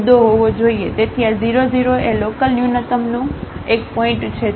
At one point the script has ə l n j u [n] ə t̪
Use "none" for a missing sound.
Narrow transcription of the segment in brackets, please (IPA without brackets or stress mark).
n